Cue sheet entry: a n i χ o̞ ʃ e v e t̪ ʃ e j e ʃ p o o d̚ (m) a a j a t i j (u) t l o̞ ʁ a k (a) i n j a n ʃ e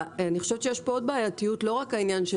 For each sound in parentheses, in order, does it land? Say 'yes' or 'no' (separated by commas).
no, yes, yes